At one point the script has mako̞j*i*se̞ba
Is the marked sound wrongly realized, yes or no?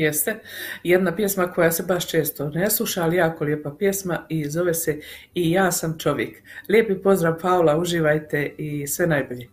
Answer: yes